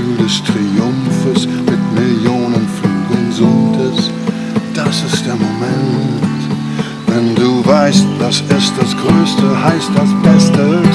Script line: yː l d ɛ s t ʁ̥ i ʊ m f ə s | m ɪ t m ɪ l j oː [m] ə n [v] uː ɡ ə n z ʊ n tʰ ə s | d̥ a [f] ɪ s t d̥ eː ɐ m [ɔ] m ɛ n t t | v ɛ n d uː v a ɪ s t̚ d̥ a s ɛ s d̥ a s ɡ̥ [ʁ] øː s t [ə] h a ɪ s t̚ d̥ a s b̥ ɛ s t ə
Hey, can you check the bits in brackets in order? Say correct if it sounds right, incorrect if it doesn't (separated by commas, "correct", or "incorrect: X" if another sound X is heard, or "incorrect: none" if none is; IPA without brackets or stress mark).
incorrect: n, incorrect: f, incorrect: s, incorrect: o, correct, correct